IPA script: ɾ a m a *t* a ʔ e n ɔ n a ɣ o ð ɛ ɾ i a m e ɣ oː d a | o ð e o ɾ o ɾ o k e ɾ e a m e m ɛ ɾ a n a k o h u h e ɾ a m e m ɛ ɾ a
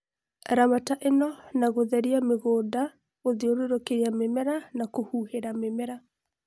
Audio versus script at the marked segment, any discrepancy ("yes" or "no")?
no